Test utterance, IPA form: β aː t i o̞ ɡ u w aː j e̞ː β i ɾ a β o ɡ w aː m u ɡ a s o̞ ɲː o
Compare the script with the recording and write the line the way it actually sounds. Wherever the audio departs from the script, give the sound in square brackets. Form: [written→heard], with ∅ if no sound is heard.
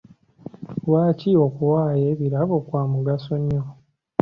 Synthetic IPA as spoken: [β→w] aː [t→c] i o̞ [ɡ→k] u w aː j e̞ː β i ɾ a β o [ɡ→k] w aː m u ɡ a s o̞ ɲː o

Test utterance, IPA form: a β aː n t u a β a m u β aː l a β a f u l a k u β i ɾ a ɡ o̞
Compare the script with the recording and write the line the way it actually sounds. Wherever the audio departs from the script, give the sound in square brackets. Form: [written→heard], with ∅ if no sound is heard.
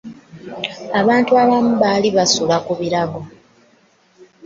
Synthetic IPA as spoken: a β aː n t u a β a m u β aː l [a→i] β a [f→s] u l a k u β i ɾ a ɡ o̞

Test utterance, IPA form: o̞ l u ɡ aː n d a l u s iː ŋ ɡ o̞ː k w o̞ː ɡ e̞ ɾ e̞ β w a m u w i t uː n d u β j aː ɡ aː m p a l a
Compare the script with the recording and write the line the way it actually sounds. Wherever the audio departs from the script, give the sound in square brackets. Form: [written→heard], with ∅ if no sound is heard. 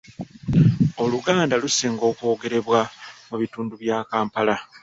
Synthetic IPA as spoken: o̞ l u ɡ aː n d a l u s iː ŋ ɡ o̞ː k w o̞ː ɡ e̞ ɾ e̞ β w a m u [w→β] i t uː n d u β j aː [ɡ→k] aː m p a l a

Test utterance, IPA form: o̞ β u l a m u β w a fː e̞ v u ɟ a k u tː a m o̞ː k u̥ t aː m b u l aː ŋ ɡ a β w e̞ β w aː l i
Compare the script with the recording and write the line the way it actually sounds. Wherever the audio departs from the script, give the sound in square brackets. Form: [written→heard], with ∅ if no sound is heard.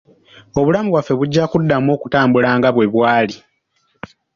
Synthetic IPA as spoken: o̞ β u l a m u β w a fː e̞ [v→β] u [ɟ→ɟː] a k u [tː→dː] a m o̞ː k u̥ t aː m b u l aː ŋ ɡ a β w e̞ β w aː l i

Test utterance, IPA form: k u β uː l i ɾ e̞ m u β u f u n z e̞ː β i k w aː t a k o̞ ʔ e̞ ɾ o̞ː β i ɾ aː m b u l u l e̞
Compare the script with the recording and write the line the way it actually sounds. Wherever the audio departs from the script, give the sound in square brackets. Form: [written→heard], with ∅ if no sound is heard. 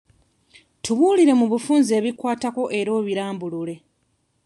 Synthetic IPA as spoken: [k→t] u β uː l i ɾ e̞ m u β u f [u→uː] n z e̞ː β i k w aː t a k o̞ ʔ e̞ ɾ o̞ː β i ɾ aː m b u l u l e̞

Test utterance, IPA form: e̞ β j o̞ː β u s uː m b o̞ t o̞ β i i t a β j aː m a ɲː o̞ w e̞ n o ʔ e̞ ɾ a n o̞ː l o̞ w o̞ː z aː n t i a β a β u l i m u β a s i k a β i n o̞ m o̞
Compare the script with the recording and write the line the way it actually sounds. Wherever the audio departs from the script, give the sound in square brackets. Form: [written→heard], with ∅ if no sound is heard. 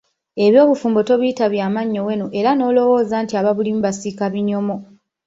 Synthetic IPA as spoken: e̞ β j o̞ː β u [s→f] uː m b o̞ t o̞ β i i t a β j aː m a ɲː o̞ w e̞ n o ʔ e̞ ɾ a n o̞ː l o̞ w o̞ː z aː n t i a β a β u l i m u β a s i k a β i [n→ɲ] o̞ m o̞

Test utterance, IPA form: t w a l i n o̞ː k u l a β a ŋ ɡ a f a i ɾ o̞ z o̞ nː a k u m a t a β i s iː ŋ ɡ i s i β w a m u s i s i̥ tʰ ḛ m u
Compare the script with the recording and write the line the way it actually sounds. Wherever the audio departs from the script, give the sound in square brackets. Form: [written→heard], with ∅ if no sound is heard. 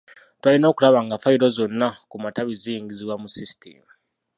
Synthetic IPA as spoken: t w a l i n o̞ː k u l a β a ŋ ɡ a f a i ɾ o̞ z o̞ nː a k u m a t a β i [s→z] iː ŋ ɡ i [s→z] i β w a m u s i s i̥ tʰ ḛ m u

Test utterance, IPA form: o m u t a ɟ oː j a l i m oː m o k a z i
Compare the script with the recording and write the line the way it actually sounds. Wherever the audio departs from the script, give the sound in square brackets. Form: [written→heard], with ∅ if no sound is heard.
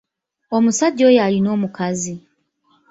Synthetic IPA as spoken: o m u [t→s] a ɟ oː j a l i [m→n] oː m [o→u] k a z i

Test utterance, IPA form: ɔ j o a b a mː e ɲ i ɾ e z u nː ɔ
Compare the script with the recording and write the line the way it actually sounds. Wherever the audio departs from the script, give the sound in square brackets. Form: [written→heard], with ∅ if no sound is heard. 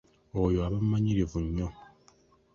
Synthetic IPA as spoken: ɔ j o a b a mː [e→a] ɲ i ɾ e [z→v] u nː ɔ

